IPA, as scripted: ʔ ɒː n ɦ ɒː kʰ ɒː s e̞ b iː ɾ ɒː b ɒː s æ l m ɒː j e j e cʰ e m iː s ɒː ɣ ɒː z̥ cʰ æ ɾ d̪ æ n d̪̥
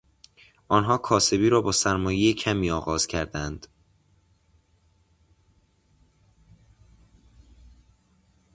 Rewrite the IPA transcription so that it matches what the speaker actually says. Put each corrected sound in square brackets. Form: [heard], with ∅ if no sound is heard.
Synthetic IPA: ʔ ɒː n ɦ ɒː kʰ ɒː s e̞ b iː ɾ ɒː b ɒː s æ [ɾ] m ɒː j e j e cʰ [æ] m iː [∅] ɒː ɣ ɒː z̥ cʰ æ ɾ d̪ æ n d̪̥